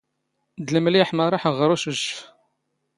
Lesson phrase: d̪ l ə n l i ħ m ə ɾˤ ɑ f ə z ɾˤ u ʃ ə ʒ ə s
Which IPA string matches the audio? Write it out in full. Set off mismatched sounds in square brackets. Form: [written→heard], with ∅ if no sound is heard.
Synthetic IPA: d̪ l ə [n→m] l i ħ m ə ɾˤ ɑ [f→ħ] ə [z→ʁ] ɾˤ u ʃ ə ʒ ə [s→f]

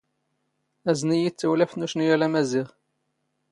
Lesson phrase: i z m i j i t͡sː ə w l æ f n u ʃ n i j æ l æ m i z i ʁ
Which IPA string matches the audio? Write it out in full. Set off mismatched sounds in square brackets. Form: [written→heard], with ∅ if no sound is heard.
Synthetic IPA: [i→æ] z [m→n] i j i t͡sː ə w l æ f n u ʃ n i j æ l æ m [i→æ] z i ʁ

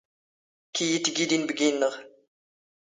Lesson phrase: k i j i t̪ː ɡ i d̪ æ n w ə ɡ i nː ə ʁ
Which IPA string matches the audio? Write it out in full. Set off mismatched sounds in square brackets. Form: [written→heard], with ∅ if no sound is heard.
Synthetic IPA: k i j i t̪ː ɡ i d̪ [æ→i] n [w→b] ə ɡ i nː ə ʁ

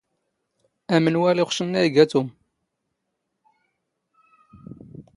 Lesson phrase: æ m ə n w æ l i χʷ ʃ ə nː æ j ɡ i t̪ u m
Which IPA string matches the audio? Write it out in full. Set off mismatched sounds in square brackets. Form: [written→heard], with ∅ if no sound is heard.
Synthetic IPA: æ m ə n w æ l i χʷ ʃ ə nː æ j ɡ [i→æ] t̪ u m

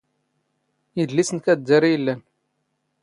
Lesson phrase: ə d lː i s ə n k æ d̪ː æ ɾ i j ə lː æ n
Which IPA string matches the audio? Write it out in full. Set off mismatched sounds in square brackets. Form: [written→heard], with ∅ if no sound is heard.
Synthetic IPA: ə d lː i s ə n k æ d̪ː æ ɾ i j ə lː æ n

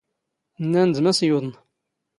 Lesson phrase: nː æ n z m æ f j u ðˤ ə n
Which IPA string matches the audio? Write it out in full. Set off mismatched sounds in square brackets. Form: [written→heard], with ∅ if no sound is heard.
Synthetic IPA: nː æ n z m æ [f→s] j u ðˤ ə n

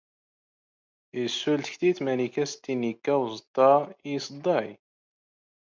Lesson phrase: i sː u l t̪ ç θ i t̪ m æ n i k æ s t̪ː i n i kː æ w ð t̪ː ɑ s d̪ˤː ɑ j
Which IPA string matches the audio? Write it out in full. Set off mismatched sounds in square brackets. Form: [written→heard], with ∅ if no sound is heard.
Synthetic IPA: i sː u l t̪ ç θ i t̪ m æ n i k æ s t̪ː i n i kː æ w [ð→z] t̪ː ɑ s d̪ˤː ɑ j

